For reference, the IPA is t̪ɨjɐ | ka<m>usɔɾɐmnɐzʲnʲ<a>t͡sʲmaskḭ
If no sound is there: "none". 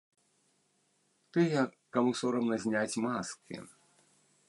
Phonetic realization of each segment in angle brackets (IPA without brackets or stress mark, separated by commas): m, a